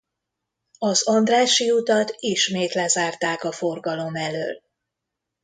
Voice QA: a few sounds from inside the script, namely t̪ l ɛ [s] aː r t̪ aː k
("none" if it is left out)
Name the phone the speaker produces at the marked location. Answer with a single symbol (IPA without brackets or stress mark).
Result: z